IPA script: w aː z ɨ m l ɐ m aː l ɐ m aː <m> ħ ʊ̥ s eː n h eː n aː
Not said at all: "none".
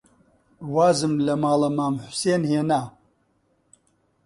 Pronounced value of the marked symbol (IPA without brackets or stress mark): m